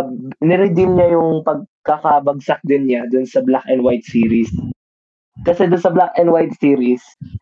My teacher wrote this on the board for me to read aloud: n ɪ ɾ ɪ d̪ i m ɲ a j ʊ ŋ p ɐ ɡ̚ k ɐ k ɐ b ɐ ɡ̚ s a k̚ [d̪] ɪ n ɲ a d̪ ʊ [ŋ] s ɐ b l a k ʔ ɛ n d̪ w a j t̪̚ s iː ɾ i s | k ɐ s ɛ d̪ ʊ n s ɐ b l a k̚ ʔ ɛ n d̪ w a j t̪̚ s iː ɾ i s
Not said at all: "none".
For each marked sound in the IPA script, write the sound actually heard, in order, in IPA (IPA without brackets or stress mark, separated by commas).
d̪, n